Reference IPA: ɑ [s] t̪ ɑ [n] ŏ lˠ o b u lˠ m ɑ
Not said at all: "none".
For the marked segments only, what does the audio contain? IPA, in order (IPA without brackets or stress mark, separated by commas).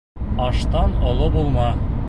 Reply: ʃ, n